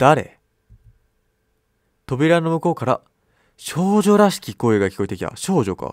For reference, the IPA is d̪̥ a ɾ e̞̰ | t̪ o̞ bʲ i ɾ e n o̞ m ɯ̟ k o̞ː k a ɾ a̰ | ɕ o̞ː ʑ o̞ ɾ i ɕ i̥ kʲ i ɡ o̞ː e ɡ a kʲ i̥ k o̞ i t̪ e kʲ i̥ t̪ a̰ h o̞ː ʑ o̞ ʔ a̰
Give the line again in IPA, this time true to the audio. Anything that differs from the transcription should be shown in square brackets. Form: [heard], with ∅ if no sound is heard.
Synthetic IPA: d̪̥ a ɾ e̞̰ | t̪ o̞ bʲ i ɾ [a] n o̞ m ɯ̟ k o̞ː k a ɾ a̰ | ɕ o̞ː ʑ o̞ ɾ [a] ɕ i̥ kʲ i [k] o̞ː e ɡ a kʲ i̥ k o̞ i t̪ e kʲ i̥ t̪ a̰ [ɕ] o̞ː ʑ o̞ [k] a̰

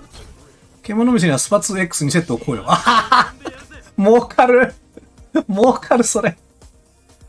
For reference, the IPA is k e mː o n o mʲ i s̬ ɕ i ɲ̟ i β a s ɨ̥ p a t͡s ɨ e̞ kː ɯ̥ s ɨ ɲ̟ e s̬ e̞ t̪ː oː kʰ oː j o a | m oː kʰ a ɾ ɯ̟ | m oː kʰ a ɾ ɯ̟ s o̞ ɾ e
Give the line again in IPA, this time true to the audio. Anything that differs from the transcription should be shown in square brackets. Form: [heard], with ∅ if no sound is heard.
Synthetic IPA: k e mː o n o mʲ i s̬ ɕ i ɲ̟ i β a s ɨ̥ p a t͡s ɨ e̞ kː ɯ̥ s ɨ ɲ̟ [i] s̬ e̞ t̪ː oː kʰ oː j o a | m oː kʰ a ɾ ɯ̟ | m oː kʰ a ɾ ɯ̟ s o̞ ɾ e

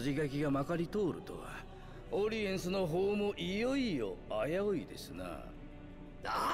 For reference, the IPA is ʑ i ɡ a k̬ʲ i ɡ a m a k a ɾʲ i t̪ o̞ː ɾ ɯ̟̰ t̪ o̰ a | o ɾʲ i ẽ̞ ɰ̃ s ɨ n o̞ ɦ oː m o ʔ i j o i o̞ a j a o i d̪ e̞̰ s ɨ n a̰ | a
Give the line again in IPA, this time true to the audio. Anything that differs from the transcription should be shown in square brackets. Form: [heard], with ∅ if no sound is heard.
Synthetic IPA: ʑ i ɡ a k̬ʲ i ɡ a m a k a ɾʲ i t̪ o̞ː ɾ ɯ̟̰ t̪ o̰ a | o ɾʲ i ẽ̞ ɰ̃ s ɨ n o̞ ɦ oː m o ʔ i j o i o̞ a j a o i d̪ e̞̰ s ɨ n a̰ | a

